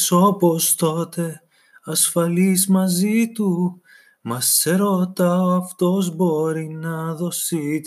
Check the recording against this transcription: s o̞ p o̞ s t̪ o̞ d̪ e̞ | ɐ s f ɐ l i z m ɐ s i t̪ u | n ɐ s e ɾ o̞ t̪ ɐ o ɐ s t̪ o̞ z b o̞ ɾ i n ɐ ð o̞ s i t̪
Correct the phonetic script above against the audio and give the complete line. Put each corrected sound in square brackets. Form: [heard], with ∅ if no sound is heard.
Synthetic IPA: s o̞ p o̞ s t̪ o̞ [t̪] e̞ | ɐ s f ɐ l i z m ɐ [z] i t̪ u | [m] ɐ s e ɾ o̞ t̪ ɐ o ɐ [f] t̪ o̞ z b o̞ ɾ i n ɐ ð o̞ s i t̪